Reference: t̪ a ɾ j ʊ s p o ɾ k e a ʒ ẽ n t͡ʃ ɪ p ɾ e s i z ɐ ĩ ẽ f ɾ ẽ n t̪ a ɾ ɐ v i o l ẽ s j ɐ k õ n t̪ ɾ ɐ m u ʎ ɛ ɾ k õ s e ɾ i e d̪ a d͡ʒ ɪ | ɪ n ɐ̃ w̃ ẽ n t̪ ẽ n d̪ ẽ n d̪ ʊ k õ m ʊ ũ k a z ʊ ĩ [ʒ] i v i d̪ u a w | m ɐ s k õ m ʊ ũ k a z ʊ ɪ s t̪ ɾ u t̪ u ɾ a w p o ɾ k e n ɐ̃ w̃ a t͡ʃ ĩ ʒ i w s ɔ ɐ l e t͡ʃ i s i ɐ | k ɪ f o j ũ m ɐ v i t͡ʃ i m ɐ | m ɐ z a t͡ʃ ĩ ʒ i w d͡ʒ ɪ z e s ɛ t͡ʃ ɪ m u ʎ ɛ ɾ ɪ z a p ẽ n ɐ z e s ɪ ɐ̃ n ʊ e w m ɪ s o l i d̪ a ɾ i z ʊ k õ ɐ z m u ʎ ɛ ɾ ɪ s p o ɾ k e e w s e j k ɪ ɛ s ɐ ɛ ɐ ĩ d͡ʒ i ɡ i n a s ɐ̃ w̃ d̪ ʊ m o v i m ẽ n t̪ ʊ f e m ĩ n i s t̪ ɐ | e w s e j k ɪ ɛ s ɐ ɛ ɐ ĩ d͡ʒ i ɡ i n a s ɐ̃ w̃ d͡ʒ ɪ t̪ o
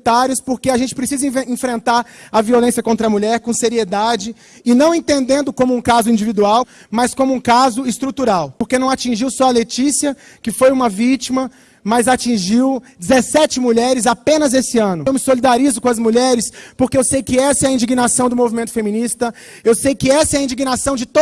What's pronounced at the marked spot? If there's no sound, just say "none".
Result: d͡ʒ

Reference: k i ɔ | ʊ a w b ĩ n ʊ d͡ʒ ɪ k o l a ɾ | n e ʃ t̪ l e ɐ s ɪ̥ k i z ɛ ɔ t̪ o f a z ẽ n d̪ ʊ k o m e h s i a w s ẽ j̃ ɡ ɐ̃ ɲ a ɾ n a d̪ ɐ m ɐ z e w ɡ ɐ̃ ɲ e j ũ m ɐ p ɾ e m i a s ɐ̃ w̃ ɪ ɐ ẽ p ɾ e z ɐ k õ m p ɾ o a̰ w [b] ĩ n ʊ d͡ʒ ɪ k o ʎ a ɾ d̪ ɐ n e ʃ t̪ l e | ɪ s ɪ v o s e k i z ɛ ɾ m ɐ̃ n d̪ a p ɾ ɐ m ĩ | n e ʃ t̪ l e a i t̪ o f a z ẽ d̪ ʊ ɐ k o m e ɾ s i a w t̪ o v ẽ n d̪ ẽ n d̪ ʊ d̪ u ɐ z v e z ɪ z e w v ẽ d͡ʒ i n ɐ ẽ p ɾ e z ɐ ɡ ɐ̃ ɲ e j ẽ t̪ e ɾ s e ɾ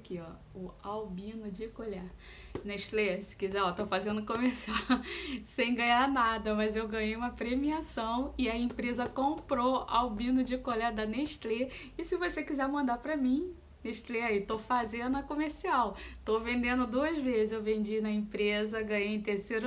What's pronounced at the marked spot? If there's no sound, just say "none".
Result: b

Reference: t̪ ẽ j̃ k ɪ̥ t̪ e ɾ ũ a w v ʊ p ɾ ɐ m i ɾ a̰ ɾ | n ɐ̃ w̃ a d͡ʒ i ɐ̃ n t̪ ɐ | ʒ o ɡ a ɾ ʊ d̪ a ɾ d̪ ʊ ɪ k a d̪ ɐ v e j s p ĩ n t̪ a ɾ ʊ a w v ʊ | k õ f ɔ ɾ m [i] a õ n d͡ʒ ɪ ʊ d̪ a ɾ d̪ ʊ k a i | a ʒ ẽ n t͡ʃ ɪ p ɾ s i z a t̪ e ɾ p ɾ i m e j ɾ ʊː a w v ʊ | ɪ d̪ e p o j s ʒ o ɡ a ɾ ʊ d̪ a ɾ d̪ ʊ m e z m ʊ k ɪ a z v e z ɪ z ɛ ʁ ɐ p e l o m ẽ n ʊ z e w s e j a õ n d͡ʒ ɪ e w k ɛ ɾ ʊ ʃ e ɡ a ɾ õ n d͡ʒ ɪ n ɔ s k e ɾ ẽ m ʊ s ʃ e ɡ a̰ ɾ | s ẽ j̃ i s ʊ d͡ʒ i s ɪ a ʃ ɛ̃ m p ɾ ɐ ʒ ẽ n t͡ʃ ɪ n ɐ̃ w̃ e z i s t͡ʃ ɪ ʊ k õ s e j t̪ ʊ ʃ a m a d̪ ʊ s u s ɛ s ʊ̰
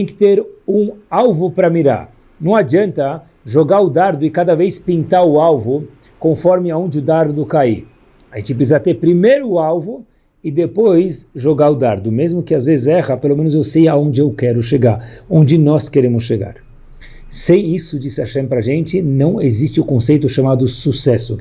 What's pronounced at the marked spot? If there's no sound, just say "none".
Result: ɪ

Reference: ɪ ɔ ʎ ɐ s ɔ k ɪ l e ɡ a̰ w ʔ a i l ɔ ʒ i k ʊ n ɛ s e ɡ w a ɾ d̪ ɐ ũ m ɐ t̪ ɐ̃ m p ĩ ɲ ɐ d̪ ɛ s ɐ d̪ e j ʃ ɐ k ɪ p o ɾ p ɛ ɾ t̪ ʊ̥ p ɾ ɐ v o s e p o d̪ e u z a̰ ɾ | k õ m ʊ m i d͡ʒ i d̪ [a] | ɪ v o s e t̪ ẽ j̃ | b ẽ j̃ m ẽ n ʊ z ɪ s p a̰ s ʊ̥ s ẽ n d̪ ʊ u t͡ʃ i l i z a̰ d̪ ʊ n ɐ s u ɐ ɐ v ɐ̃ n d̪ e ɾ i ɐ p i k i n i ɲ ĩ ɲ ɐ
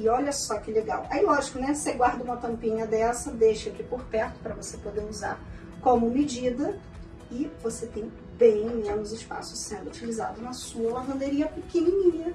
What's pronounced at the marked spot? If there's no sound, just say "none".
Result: ɐ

